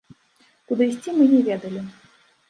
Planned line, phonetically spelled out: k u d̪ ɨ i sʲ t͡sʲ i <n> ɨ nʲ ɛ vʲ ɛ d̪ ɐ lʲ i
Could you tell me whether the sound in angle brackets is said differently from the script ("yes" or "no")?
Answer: yes